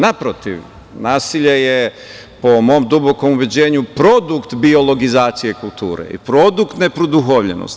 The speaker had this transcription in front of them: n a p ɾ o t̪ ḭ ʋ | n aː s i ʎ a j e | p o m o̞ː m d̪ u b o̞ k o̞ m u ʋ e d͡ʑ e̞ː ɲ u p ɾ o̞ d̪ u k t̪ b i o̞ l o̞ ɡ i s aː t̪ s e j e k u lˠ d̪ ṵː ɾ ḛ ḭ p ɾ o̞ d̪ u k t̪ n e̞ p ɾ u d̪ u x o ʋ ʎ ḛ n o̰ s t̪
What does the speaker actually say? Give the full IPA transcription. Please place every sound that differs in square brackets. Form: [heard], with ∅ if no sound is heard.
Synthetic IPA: n a p ɾ o t̪ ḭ ʋ | n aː s i ʎ [e] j e | p o m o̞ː m d̪ u b o̞ k o̞ m u ʋ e d͡ʑ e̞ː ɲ u p ɾ o̞ d̪ u k t̪ b i o̞ l o̞ ɡ i [z] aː t̪ s [i] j e k u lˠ [t̪] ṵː ɾ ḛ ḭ p ɾ o̞ d̪ u k t̪ n e̞ p ɾ [o] d̪ u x o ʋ ʎ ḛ n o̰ s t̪